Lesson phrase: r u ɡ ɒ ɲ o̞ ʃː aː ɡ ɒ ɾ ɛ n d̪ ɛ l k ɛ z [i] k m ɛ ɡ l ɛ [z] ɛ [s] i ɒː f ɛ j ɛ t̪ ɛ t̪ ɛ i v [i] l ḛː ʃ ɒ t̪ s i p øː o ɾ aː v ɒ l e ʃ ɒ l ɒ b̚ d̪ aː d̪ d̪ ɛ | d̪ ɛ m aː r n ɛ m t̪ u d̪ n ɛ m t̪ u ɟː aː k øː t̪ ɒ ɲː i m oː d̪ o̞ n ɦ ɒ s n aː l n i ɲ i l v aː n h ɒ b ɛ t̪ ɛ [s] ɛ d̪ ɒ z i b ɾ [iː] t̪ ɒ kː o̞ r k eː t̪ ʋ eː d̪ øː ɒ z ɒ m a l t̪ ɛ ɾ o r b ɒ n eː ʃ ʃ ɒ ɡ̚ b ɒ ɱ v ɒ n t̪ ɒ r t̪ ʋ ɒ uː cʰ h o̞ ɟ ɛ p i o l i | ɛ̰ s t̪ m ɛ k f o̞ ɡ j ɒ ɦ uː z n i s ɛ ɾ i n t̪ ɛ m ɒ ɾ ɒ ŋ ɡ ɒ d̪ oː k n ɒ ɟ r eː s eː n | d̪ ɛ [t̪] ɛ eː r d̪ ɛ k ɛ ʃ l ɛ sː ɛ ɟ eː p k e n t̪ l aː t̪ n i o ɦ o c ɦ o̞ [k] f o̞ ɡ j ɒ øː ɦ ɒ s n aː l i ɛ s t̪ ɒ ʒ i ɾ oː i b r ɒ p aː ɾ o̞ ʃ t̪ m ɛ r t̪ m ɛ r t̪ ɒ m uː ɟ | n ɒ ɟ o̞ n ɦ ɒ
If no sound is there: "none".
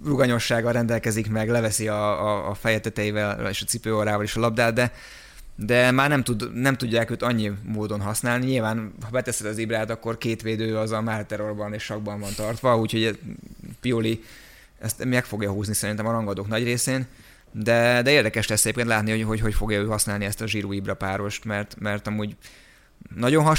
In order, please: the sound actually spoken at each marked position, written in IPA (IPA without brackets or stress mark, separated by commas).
i, v, s, ɛ, s, aː, d̪, c